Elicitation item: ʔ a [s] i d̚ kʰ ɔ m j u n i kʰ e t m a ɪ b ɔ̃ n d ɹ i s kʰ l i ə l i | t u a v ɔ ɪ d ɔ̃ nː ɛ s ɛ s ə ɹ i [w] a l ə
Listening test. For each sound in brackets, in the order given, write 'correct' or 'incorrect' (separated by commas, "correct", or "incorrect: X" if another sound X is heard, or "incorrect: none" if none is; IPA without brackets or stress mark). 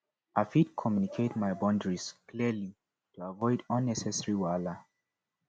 incorrect: f, correct